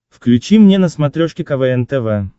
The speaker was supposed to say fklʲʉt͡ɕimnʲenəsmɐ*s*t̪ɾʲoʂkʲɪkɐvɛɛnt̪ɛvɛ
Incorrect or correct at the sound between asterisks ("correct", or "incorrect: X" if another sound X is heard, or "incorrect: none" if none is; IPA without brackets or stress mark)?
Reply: incorrect: none